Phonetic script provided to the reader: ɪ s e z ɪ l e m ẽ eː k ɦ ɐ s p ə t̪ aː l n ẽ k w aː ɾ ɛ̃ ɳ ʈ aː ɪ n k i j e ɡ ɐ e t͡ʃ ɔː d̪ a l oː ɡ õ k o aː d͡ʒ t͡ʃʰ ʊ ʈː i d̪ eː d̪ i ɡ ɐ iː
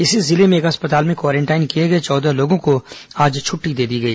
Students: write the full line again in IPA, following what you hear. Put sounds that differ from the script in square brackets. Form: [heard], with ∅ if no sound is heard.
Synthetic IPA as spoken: ɪ s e z ɪ l e m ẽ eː k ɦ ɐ s p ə t̪ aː l [m] ẽ k w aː ɾ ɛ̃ ɳ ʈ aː ɪ n k i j e ɡ ɐ e t͡ʃ ɔː d̪ a l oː ɡ õ k o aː d͡ʒ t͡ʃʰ ʊ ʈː i d̪ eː d̪ i ɡ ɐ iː